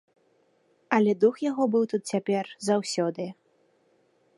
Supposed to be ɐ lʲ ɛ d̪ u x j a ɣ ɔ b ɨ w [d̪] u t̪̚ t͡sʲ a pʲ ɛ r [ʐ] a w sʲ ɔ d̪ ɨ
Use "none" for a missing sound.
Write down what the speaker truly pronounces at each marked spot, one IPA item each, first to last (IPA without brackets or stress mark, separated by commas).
t̪, z